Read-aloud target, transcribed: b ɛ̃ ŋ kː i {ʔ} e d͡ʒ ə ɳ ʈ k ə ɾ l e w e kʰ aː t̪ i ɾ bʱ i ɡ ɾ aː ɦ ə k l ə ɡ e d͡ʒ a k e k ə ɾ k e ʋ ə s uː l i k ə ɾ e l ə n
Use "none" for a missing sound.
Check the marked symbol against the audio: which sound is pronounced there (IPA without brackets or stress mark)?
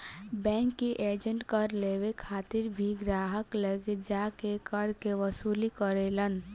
ʔ